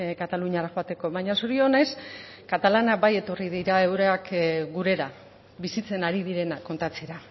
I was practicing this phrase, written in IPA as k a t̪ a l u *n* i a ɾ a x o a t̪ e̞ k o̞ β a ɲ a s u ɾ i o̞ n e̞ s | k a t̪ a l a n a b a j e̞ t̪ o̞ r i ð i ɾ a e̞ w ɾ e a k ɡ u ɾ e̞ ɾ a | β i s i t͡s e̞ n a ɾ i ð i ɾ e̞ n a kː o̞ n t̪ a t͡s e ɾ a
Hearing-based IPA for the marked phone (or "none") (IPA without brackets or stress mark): ɲ